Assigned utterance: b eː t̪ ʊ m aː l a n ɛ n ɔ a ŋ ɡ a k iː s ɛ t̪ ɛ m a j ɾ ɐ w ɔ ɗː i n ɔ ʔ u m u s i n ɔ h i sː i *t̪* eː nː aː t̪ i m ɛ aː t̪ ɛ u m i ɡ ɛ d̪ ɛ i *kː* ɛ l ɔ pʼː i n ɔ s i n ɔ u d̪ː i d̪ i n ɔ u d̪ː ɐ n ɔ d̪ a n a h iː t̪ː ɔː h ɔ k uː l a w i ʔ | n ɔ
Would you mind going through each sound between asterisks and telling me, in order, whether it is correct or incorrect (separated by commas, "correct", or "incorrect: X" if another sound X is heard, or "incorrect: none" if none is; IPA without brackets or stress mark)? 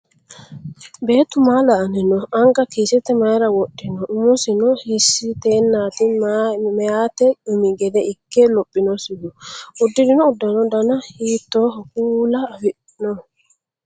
correct, correct